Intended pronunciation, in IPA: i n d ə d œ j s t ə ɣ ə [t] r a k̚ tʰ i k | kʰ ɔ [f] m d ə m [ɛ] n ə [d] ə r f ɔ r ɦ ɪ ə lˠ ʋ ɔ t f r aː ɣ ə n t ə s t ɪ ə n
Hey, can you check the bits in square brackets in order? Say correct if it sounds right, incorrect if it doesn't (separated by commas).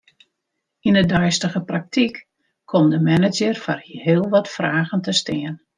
incorrect, incorrect, correct, incorrect